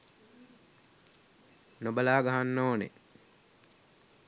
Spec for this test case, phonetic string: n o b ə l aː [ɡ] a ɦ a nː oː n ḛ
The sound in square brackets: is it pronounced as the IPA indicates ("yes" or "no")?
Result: yes